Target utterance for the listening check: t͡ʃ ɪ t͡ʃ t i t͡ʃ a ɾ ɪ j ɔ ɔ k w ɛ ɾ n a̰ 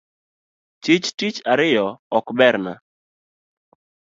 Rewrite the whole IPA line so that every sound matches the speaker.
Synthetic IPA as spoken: t͡ʃ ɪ t͡ʃ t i t͡ʃ a ɾ ɪ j ɔ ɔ k b ɛ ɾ n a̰